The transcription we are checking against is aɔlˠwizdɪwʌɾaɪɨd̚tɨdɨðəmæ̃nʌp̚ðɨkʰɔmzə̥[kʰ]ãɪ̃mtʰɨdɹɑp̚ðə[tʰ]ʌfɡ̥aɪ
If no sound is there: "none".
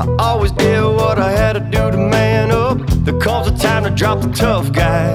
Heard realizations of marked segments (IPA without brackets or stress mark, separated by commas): tʰ, tʰ